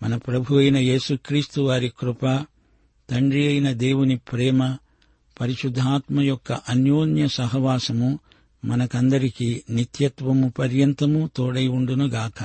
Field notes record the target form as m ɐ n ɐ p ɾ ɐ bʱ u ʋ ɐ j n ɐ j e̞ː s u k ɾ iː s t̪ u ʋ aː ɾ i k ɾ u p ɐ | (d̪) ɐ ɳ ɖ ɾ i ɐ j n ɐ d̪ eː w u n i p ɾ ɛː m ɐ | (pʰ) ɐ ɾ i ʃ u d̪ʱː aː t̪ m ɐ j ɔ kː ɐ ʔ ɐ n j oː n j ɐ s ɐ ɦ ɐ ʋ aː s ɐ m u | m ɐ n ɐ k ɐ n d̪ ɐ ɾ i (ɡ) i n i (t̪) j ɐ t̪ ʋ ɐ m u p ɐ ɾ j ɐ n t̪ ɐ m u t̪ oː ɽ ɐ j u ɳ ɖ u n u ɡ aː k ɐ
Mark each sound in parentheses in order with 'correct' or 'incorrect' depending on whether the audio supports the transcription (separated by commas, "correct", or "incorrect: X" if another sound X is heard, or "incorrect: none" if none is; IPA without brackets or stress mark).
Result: incorrect: t̪, incorrect: p, incorrect: k, correct